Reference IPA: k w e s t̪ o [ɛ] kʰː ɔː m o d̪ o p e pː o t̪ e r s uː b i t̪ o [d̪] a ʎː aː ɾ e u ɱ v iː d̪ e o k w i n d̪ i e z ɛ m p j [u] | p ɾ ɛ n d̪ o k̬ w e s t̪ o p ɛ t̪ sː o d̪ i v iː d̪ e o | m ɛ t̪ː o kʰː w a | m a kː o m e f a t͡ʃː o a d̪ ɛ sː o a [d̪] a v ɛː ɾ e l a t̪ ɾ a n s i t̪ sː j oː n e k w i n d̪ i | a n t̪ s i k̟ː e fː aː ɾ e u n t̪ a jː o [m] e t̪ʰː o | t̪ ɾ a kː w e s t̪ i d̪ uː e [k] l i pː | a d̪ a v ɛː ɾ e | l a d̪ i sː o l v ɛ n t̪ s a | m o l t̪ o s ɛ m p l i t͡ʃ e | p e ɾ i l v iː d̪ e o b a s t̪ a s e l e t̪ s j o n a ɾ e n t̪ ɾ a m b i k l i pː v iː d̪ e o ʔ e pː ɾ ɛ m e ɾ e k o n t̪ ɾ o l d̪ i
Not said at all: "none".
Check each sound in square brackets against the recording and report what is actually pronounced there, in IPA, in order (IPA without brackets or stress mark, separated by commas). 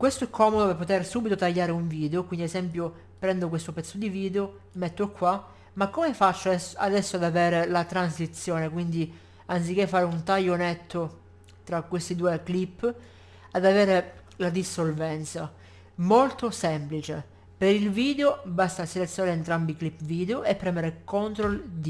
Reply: ɛ, t̪, o, d̪, n, k